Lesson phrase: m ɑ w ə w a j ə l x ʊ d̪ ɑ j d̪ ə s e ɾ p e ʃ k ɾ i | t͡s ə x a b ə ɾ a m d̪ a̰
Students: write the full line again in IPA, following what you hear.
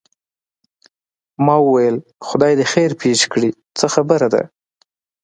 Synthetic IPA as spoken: m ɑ w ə w a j ə l x ʊ d̪ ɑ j d̪ ə x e ɾ p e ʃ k ɽ i | t͡s ə x a b ə ɾ a d̪ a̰